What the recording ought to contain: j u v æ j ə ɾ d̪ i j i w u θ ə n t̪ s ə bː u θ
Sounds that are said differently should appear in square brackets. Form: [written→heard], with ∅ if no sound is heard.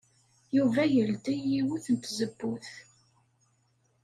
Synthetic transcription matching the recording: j u v æ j ə [ɾ→l] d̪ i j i w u θ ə n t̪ [s→z] ə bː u θ